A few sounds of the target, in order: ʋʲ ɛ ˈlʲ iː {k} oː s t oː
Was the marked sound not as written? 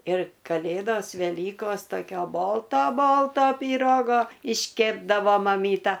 no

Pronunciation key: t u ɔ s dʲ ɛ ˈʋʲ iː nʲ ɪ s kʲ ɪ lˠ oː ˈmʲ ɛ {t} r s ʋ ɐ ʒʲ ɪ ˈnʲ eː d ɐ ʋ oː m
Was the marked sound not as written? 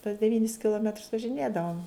no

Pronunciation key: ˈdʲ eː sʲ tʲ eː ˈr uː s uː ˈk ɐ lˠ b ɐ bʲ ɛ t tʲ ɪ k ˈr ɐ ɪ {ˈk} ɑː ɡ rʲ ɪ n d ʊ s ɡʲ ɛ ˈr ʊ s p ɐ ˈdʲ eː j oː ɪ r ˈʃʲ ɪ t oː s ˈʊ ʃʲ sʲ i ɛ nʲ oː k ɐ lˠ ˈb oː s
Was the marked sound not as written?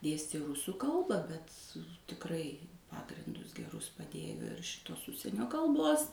yes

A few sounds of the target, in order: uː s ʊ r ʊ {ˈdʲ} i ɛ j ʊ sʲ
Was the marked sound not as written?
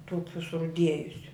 no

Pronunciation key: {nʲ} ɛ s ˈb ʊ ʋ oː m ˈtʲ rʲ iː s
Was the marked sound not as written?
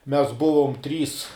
yes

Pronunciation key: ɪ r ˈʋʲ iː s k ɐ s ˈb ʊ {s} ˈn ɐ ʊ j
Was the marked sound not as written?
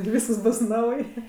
no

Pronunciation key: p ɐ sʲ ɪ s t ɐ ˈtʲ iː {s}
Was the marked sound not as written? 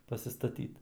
yes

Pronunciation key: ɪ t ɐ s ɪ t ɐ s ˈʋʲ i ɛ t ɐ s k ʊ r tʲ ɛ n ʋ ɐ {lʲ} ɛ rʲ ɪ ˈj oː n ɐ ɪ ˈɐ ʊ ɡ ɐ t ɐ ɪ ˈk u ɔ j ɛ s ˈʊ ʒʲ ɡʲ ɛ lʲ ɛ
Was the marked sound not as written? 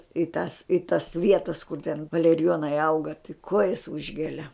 no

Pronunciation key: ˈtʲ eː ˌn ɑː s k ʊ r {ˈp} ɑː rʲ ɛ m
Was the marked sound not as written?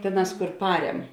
no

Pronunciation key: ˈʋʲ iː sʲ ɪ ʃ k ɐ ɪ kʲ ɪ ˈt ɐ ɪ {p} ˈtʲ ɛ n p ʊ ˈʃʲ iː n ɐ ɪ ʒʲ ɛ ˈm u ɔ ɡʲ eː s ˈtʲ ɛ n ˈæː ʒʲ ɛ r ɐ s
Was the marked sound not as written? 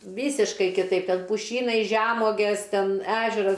no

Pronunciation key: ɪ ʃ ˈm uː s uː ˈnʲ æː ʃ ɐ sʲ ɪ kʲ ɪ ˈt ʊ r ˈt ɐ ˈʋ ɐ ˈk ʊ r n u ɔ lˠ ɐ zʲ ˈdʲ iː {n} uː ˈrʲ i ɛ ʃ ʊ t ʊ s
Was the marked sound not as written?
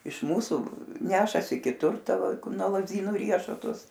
no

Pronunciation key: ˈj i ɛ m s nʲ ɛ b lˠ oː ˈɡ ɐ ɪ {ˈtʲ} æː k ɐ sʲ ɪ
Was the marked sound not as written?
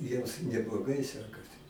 yes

